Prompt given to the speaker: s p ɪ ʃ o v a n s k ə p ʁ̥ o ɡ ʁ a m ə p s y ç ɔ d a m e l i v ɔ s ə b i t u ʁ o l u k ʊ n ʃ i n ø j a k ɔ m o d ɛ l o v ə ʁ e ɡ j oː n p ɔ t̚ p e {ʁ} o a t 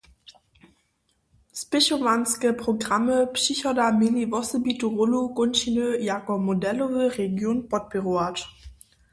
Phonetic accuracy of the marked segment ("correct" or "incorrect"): correct